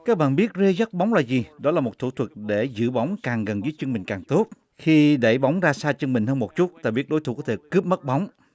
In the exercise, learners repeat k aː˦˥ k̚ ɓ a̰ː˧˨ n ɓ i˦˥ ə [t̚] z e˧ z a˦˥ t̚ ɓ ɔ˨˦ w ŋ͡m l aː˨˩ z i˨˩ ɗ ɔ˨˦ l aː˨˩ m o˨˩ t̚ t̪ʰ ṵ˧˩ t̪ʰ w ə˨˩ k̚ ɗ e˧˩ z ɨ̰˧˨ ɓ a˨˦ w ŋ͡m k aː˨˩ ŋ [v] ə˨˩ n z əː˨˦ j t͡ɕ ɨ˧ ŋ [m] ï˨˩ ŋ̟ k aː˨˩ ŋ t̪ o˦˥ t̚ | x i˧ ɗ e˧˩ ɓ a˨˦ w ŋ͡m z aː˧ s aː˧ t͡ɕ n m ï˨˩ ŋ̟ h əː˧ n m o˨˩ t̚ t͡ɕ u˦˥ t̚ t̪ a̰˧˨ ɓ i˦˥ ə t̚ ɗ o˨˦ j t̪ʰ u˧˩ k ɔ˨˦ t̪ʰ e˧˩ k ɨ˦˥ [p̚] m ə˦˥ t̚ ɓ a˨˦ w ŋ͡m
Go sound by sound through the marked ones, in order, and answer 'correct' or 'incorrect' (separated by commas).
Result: correct, incorrect, correct, correct